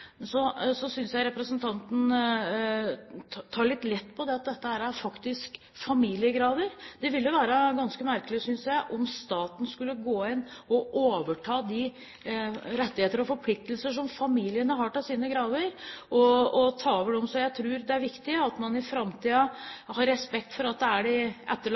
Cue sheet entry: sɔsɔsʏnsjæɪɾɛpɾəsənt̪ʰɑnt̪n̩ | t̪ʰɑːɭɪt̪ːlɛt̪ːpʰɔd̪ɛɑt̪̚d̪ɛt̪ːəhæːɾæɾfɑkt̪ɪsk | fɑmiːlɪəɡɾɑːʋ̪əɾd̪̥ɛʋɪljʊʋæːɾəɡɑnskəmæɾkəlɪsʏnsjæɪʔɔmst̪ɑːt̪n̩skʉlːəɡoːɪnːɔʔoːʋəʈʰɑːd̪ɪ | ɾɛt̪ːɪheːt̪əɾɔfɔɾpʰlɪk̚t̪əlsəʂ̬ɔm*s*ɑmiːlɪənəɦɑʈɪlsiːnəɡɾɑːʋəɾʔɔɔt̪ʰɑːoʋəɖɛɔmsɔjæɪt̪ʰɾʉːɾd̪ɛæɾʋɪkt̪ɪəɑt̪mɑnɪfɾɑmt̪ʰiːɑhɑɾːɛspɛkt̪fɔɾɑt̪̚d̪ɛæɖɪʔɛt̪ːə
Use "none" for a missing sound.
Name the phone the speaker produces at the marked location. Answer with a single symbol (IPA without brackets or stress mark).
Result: f